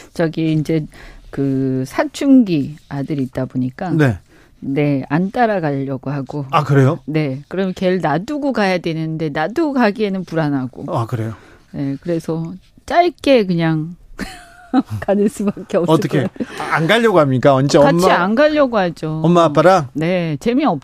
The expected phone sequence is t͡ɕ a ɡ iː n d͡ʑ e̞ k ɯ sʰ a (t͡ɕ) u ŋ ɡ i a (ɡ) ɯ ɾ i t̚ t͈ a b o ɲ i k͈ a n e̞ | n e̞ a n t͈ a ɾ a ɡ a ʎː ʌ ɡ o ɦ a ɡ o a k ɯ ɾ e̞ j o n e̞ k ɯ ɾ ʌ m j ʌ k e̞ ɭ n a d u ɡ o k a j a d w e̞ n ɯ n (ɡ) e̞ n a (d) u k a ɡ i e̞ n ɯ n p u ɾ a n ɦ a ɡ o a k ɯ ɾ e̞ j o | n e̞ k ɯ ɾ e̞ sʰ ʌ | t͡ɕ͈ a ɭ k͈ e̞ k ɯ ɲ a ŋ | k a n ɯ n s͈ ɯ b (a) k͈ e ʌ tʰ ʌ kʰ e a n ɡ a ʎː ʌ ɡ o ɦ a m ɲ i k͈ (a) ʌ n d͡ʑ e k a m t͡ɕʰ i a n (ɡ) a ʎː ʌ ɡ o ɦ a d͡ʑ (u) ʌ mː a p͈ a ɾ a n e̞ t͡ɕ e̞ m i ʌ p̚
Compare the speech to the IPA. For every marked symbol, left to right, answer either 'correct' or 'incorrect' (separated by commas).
incorrect, incorrect, incorrect, correct, correct, correct, correct, incorrect